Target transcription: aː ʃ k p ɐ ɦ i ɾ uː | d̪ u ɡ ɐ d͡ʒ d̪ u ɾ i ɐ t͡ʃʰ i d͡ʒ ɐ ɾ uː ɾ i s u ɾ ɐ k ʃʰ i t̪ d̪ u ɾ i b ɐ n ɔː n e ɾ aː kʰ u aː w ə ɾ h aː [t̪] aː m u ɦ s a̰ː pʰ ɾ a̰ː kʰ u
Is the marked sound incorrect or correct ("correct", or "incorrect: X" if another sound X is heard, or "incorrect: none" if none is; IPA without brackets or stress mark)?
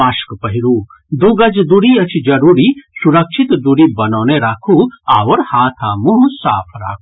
incorrect: t̪ʰ